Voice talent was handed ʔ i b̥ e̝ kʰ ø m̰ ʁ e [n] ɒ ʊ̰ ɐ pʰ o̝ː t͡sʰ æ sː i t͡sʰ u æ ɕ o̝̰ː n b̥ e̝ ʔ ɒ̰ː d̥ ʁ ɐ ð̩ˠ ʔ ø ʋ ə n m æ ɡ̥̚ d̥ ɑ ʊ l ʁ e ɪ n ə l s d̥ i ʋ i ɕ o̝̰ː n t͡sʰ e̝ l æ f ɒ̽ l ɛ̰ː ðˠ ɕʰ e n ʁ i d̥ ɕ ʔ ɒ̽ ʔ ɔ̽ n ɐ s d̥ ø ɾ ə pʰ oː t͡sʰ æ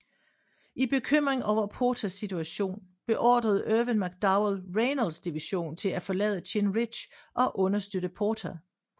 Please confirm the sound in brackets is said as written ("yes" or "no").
no